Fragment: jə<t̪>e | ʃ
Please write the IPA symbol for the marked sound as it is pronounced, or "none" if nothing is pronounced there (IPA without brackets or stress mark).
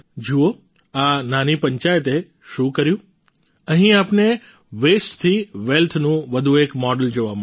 t̪